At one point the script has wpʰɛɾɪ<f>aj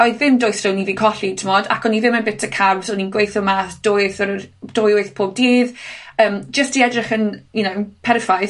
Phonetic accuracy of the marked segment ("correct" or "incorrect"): correct